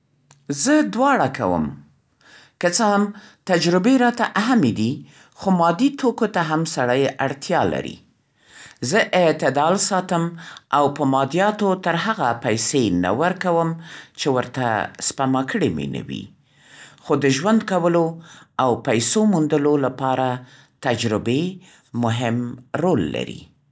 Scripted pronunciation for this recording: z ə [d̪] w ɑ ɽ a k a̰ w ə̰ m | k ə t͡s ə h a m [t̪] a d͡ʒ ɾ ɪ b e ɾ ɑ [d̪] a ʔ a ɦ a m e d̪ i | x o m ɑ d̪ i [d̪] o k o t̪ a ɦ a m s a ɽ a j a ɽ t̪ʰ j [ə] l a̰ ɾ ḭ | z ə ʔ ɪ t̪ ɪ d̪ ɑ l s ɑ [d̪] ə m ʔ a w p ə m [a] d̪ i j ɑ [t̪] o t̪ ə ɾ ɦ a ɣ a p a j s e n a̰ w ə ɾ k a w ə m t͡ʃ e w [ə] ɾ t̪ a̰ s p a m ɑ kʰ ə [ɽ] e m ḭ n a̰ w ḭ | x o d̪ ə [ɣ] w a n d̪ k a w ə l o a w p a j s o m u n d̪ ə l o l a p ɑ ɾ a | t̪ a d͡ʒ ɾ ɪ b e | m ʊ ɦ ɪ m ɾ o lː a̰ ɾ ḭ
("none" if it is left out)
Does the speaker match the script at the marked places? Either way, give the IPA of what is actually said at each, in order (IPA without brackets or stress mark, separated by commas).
d̪, t̪, t̪, t̪, ɑ, t̪, ɑ, t̪, ə, ɽ, ʒ